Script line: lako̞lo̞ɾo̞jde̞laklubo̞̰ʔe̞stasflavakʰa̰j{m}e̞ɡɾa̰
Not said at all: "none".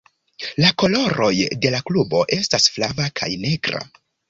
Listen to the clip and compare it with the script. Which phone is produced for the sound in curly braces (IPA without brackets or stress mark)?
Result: n